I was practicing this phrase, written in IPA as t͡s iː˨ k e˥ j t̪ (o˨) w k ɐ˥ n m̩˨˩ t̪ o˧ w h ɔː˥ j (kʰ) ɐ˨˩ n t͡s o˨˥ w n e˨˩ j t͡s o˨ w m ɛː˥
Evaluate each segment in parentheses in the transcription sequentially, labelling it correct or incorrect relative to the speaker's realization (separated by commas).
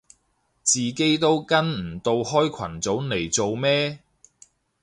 incorrect, correct